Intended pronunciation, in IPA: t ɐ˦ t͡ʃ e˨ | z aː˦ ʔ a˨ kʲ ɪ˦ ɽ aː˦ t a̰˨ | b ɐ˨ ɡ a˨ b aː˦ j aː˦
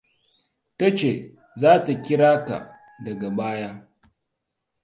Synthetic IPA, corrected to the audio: t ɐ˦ t͡ʃ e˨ | z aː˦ t a˨ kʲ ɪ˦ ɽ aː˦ k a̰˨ | d ɐ˨ ɡ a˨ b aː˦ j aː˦